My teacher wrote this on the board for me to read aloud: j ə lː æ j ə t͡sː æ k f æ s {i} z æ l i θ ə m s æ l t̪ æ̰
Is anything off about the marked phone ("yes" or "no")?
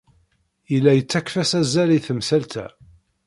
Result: yes